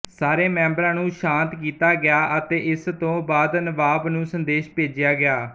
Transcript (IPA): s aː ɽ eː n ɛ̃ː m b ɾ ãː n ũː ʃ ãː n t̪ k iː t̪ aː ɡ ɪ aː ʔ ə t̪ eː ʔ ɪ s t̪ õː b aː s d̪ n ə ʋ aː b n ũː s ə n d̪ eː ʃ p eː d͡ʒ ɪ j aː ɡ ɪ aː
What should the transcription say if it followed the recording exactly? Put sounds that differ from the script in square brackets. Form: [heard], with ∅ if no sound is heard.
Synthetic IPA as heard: s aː [ɾ] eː [m] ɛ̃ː m b ɾ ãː n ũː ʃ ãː n t̪ k iː t̪ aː ɡ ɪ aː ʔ ə t̪ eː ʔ ɪ s t̪ õː b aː [∅] d̪ n ə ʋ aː b n ũː s ə n d̪ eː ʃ p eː d͡ʒ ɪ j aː ɡ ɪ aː